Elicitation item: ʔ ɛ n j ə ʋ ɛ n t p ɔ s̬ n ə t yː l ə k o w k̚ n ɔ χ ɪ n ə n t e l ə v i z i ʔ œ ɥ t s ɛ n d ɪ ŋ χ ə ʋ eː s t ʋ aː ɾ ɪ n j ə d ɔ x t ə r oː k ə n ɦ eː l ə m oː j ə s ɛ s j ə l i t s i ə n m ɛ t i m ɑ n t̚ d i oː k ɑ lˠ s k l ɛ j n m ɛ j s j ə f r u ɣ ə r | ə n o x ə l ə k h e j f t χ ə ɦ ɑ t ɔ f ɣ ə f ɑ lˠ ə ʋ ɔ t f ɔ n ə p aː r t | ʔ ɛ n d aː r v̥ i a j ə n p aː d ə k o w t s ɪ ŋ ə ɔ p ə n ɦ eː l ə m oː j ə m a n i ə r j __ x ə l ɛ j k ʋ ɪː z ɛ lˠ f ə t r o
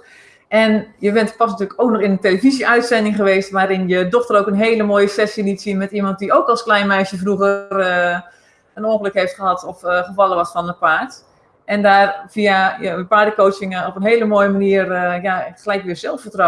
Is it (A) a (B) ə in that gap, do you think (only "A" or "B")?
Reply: A